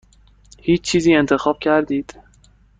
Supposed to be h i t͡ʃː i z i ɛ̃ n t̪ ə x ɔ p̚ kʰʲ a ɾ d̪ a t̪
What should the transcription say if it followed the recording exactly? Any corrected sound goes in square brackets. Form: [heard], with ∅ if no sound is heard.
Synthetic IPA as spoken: h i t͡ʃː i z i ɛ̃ n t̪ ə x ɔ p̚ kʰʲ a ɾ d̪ [i] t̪